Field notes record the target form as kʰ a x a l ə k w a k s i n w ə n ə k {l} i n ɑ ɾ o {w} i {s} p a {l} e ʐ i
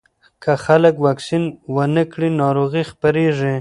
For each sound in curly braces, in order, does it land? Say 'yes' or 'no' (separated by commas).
no, no, no, no